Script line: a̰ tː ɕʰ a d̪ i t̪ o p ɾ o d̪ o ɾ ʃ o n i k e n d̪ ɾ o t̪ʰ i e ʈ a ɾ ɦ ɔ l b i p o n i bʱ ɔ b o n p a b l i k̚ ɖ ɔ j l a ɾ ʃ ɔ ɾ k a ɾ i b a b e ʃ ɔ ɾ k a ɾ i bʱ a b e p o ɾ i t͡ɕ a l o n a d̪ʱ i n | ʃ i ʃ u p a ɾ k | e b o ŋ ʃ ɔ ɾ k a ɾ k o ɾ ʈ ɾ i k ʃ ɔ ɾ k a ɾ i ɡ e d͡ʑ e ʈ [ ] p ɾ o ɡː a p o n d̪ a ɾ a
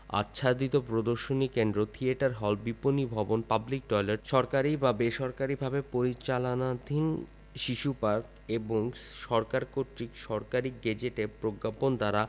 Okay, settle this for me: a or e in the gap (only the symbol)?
e